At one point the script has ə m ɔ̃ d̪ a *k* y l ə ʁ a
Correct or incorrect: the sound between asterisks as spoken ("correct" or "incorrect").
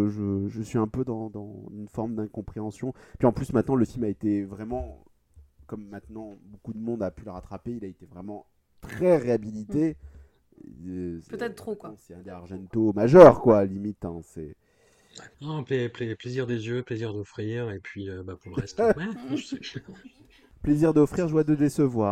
incorrect